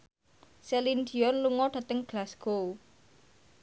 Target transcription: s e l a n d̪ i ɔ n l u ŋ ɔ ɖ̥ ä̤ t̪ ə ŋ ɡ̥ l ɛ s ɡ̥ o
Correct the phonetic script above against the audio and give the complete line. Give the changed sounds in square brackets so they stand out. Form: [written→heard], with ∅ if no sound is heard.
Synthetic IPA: s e l [a→i] n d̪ i ɔ n l u ŋ ɔ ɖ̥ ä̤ t̪ ə ŋ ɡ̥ l [ɛ→a] s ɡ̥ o